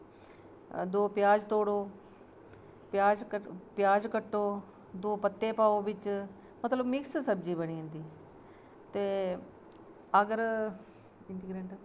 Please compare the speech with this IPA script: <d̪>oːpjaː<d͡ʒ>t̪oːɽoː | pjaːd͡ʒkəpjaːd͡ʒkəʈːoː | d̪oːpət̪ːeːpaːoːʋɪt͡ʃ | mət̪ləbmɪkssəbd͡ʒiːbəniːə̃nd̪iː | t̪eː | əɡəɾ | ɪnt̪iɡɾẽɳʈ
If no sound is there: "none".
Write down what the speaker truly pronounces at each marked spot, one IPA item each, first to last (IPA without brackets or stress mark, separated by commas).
d̪, d͡ʒ